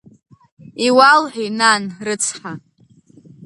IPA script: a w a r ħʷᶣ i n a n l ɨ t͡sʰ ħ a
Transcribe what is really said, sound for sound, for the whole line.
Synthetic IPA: i w a l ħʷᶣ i n a n r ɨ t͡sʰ ħ a